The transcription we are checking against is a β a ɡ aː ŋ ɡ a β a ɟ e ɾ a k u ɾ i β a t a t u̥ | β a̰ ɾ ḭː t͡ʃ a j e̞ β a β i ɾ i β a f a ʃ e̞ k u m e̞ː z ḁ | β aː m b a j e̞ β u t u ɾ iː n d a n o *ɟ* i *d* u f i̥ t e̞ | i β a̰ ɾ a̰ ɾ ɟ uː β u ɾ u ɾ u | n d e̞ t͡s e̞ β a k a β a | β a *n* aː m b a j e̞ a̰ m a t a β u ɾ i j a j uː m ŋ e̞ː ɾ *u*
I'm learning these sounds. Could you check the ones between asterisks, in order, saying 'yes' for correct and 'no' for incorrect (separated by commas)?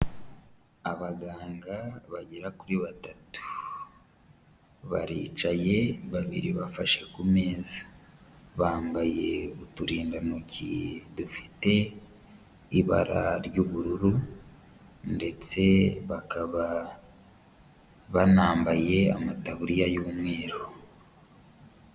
no, yes, yes, no